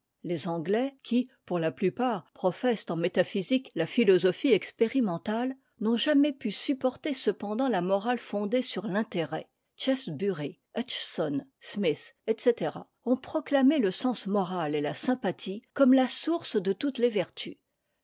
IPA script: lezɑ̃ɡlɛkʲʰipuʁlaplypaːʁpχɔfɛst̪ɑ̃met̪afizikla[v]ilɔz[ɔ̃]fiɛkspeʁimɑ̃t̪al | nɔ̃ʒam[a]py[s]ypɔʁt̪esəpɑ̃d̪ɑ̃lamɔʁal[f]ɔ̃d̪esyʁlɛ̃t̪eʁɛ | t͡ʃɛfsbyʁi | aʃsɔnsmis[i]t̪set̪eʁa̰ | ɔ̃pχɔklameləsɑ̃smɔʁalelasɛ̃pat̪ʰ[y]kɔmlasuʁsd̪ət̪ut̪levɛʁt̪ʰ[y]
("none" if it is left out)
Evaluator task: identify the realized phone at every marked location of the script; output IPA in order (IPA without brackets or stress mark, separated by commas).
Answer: f, ɔ, ɛ, s, f, ɛ, i, y